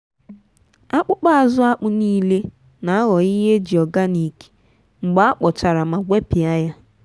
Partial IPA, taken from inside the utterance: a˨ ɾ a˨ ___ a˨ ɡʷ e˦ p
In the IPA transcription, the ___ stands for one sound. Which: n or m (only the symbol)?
m